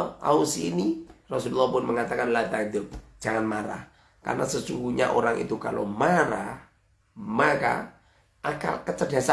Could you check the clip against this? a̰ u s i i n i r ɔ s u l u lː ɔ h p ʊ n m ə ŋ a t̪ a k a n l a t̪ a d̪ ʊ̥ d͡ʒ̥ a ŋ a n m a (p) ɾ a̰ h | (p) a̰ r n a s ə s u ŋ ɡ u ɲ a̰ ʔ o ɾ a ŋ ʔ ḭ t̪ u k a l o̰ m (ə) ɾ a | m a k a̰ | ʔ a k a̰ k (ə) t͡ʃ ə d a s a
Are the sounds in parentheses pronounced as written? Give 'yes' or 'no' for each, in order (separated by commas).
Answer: no, no, no, yes